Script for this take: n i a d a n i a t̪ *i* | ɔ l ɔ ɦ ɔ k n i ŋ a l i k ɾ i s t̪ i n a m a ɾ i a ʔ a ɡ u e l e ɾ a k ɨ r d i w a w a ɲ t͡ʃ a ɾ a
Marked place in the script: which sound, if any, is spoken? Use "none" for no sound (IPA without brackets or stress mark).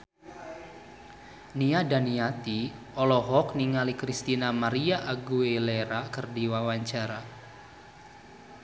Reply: i